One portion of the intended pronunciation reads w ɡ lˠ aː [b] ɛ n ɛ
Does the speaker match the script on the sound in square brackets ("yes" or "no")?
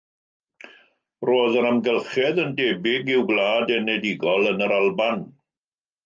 no